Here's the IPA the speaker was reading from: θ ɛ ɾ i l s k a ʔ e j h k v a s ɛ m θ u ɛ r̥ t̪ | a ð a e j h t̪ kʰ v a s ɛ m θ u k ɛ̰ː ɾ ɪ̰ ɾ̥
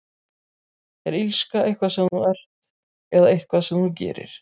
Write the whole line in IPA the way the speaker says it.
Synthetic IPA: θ ɛ ɾ i l s k a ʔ e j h k v a s ɛ m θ u ɛ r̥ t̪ | ɛ ð a e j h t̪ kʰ v a s ɛ m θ u c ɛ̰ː ɾ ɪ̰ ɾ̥